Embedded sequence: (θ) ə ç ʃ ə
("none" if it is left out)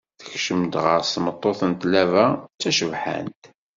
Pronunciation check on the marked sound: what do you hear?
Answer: θ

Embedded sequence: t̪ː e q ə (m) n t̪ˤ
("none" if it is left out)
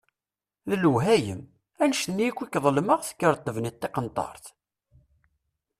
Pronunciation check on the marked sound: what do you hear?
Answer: none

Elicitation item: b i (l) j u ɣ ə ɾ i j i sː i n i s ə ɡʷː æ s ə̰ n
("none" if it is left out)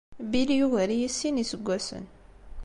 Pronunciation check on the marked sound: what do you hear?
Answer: l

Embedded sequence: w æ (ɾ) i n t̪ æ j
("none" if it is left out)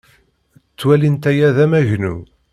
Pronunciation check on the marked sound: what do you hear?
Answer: l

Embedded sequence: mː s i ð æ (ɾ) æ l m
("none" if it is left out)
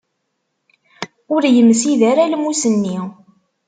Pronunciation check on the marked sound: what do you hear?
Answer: ɾ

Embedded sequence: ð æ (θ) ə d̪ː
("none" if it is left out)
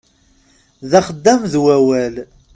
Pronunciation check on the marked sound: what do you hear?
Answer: χ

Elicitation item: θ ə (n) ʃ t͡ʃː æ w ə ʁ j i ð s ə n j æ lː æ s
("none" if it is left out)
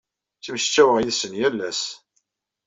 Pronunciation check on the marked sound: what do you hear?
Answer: m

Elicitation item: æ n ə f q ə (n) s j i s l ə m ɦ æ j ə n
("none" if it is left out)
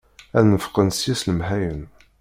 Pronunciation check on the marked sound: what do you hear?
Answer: n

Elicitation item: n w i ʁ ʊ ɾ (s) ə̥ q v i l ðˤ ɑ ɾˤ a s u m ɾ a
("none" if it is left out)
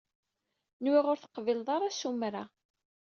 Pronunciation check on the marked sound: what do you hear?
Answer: θ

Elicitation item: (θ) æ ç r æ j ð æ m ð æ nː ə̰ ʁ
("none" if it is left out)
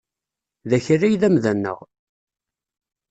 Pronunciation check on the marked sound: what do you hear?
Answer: ð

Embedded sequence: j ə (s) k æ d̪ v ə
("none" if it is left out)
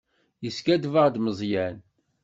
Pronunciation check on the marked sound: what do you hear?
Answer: s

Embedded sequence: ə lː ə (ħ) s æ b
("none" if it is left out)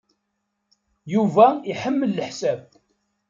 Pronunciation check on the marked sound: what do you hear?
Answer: ħ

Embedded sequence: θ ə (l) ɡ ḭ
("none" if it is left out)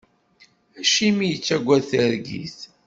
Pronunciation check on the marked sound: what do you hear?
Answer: ɾ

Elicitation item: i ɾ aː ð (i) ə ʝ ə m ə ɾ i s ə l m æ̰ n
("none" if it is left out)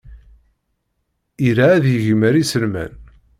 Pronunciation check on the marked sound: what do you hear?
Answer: j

